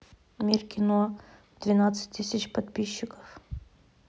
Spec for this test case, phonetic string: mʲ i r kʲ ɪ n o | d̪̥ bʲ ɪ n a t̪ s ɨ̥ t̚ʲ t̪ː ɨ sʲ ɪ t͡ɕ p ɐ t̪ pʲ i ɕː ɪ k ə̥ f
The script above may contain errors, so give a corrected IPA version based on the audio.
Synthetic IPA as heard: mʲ i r kʲ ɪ n o | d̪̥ vʲ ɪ n a t̪ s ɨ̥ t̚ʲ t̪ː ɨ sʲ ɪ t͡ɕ p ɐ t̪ pʲ i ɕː ɪ k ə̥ f

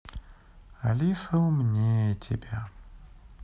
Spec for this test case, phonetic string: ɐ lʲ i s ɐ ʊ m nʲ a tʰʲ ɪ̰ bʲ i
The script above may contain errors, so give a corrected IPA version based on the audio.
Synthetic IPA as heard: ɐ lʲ i s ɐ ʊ m nʲ e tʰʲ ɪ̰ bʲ a

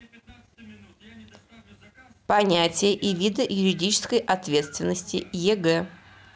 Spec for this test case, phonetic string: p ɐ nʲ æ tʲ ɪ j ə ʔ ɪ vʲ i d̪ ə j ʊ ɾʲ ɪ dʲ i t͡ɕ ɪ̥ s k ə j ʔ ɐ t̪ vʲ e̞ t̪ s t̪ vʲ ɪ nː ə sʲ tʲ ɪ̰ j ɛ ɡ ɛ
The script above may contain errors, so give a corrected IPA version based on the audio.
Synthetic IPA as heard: p ɐ nʲ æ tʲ ɪ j ə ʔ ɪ vʲ i d̪ ə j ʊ ɾʲ ɪ dʲ i t͡ɕ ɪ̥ s k ə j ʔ ɐ t̪ vʲ e̞ t̪ s t̪ vʲ ɪ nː ə sʲ tʲ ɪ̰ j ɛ ɡ ɛ

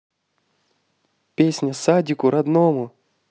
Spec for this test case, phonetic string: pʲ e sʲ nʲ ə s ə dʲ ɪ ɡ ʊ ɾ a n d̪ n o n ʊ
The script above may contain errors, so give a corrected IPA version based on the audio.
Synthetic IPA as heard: pʲ e sʲ nʲ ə s a dʲ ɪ k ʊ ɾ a d̪ n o m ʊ

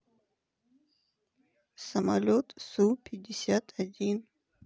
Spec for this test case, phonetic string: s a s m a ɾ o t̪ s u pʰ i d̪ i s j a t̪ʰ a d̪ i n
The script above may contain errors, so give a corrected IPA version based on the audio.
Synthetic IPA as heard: s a m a l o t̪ s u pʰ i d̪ i s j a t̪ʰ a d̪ i n

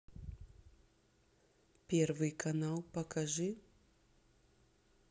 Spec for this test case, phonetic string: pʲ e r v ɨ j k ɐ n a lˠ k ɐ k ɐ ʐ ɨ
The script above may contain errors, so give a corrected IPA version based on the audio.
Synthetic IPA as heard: pʲ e r v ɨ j k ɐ n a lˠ p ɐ k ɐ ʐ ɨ

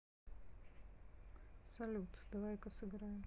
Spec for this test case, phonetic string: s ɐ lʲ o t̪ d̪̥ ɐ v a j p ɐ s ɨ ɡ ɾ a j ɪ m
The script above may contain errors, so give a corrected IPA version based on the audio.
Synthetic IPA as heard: s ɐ lʲ u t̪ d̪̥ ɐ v a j k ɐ s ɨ ɡ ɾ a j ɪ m

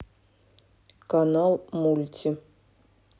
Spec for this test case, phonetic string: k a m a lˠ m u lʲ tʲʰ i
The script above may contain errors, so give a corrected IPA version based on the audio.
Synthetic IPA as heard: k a n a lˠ m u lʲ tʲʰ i

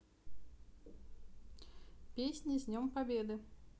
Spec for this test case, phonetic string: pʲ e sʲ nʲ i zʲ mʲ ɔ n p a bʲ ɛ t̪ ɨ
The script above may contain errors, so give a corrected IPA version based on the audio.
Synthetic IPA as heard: pʲ e sʲ nʲ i zʲ nʲ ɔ m p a bʲ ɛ d̪ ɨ

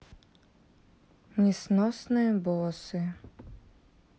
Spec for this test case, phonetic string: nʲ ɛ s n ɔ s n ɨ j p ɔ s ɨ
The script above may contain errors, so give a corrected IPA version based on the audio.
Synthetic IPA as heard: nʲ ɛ s n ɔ s n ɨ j b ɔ s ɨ

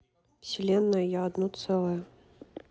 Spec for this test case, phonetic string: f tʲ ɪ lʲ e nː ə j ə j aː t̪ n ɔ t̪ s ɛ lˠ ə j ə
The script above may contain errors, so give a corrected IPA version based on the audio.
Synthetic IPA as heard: f sʲ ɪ lʲ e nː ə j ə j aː d̪ n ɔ t̪ s ɛ lˠ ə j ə

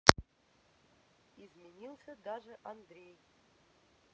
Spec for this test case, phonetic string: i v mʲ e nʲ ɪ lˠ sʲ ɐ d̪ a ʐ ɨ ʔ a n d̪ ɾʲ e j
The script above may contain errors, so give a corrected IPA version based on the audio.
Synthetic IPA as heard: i z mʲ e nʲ i lˠ sʲ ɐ d̪ a ʐ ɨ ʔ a n d̪ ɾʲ e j

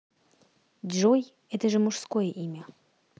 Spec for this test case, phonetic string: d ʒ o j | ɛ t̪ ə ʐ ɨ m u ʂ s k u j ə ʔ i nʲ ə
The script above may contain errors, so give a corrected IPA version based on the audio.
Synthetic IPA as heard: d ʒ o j | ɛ t̪ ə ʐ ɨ m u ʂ s k o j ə ʔ i mʲ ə

